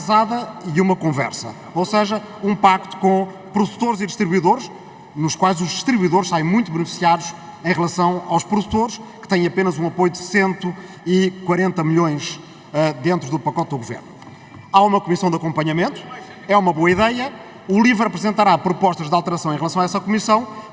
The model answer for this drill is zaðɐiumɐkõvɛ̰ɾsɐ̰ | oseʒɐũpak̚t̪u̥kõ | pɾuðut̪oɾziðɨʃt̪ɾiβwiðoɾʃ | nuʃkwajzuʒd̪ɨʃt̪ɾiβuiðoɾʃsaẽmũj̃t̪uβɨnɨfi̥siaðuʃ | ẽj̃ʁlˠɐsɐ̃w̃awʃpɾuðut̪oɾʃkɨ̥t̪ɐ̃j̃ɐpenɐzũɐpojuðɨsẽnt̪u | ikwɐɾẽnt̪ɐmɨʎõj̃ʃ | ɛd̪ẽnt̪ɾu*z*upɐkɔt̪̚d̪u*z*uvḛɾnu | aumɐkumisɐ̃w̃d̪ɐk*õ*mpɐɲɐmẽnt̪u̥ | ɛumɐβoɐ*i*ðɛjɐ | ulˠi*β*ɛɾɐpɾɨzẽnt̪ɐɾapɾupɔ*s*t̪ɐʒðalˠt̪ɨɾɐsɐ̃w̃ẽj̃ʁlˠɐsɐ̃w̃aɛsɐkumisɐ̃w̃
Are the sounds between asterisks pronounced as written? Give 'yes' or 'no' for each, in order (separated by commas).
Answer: no, no, yes, yes, no, no